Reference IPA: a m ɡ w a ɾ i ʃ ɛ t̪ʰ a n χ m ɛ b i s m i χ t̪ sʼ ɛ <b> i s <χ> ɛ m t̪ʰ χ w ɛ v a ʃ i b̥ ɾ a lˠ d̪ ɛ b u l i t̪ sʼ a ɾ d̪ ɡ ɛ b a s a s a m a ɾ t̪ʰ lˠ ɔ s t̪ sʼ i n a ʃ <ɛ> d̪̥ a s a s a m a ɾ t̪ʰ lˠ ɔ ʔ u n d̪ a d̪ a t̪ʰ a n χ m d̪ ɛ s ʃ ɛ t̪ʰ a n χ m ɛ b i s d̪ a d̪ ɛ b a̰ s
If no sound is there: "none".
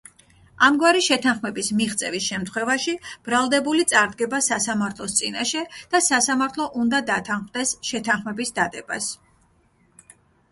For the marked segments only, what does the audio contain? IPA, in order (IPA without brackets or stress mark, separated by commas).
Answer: v, ʃ, ɛ